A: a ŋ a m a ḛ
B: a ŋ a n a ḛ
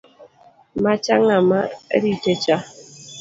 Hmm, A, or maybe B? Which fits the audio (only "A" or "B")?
A